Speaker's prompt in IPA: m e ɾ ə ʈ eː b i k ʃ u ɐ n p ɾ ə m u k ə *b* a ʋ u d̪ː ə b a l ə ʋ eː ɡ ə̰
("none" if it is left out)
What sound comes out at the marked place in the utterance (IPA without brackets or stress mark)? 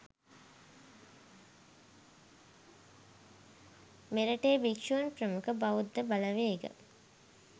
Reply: b